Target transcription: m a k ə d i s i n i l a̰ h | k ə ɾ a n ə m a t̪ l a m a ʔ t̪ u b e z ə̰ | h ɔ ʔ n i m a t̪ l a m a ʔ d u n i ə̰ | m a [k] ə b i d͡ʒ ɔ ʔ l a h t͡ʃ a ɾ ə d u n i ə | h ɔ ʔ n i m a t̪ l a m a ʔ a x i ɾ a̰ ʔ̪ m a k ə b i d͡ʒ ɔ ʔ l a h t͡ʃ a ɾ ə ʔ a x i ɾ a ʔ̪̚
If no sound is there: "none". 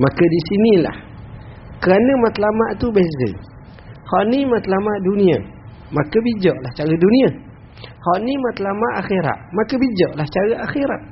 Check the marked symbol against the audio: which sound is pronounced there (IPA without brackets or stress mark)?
k